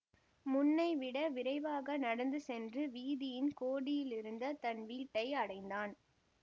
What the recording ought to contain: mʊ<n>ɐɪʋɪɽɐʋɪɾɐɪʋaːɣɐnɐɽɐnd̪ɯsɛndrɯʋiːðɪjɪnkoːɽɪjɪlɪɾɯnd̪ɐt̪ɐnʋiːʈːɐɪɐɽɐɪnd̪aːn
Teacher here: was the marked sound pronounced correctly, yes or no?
no